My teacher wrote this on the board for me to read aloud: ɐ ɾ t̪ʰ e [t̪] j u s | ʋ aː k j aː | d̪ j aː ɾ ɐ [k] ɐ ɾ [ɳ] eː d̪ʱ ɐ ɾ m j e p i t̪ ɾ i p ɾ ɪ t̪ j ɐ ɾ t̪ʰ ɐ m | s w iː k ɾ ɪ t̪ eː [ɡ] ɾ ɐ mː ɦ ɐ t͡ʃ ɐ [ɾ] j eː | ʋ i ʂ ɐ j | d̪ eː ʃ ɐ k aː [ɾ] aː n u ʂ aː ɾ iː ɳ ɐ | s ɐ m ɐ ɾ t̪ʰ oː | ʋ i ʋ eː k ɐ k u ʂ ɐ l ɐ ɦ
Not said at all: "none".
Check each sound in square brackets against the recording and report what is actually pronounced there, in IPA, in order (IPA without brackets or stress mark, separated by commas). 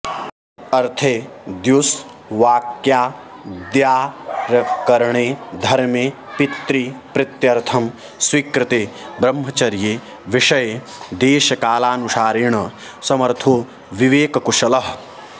d̪, k, ɳ, b, ɾ, l